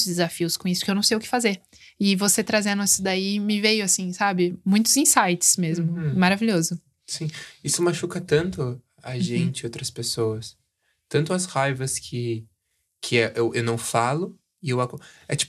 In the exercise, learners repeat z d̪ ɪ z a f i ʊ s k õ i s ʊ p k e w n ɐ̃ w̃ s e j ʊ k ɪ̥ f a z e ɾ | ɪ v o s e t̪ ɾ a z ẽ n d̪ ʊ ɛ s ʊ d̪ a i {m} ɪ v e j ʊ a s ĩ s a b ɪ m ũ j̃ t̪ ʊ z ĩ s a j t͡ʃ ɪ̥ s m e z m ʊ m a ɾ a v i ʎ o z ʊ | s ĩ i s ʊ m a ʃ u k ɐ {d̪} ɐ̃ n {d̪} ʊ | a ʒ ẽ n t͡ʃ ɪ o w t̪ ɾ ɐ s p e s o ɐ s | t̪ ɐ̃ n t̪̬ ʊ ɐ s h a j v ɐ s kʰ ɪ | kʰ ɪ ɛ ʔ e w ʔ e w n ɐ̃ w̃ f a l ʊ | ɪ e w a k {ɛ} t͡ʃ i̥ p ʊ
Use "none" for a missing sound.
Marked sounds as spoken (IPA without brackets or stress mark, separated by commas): m, t̪, t̪, ɛ